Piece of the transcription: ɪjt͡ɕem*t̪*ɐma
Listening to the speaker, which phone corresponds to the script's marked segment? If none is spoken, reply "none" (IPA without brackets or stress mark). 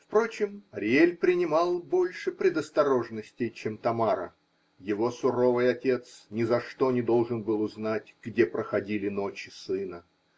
t̪